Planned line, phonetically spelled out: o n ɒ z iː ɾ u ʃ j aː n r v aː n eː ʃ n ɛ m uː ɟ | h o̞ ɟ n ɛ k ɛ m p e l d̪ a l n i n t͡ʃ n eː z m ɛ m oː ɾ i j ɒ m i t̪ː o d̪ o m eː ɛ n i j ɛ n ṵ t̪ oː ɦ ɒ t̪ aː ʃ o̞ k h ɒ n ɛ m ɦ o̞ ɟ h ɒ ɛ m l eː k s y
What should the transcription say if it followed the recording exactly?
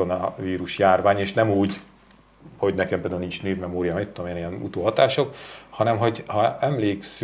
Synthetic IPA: o n ɒ v iː ɾ u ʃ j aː r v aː ɲ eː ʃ n ɛ m uː ɟ | h o̞ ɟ n ɛ k ɛ m p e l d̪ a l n i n t͡ʃ n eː v m ɛ m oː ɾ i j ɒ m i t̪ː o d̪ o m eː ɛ n i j ɛ n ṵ t̪ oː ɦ ɒ t̪ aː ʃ o̞ k h ɒ n ɛ m ɦ o̞ ɟ h ɒ ɛ m l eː k s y